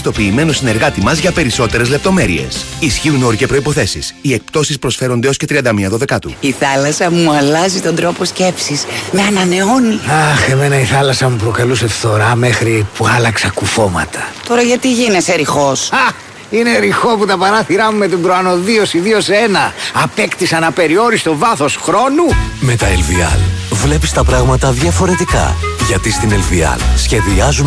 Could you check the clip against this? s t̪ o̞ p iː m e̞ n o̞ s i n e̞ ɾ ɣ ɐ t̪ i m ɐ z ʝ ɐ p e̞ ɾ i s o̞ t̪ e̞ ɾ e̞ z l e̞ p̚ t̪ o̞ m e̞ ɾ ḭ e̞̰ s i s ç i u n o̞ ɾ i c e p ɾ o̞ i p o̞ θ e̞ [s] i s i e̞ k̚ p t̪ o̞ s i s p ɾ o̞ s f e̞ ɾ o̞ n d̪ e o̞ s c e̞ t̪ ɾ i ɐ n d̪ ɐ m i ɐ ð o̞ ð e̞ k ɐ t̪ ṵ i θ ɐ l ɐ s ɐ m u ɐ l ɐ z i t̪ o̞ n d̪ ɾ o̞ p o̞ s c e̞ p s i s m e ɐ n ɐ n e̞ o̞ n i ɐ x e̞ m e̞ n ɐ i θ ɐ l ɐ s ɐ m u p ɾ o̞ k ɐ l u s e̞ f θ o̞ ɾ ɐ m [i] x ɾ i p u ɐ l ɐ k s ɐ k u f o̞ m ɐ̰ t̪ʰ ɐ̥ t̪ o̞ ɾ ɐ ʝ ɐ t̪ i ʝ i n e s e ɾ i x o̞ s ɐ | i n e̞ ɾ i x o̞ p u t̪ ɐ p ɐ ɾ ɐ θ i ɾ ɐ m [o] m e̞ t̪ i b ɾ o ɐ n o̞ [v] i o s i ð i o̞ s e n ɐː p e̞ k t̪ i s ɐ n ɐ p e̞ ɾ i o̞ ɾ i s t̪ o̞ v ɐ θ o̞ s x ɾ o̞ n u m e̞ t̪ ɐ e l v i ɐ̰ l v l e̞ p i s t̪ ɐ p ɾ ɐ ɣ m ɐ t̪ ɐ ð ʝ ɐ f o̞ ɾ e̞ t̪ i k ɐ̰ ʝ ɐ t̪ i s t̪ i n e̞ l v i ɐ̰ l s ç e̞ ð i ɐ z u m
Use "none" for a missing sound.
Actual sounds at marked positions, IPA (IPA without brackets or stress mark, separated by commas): s, e, u, ð